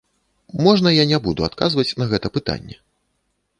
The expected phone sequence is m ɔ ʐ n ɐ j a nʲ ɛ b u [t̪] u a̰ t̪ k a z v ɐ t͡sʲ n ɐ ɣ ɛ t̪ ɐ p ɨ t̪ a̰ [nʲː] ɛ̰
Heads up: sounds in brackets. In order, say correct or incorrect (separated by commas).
incorrect, correct